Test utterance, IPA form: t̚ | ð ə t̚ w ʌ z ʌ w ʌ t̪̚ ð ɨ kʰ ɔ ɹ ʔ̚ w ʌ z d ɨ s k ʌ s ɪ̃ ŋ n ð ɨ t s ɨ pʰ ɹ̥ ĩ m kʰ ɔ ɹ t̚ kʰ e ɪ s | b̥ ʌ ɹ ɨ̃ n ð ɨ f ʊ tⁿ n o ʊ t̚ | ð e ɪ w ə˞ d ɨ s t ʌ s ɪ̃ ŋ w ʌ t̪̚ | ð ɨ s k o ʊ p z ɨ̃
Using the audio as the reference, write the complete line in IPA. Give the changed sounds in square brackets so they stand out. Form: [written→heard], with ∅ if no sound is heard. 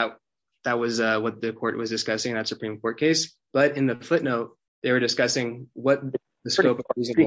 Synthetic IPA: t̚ | ð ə t̚ w ʌ z ʌ w ʌ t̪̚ ð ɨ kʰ ɔ ɹ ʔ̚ w ʌ z d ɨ s k ʌ s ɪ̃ ŋ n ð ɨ t s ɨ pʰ ɹ̥ ĩ m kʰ ɔ ɹ t̚ kʰ e ɪ s | b̥ ʌ [ɹ→ɾ] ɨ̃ n ð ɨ f ʊ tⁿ n o ʊ t̚ | ð e ɪ w ə˞ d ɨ s [t→k] ʌ s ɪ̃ ŋ w ʌ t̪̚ | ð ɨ s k o ʊ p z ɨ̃